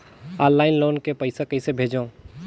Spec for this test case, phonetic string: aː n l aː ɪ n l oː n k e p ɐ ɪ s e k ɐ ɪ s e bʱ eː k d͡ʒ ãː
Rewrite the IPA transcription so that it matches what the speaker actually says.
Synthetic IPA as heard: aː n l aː ɪ n l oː n k e p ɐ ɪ s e k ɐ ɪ s e bʱ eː d͡ʒ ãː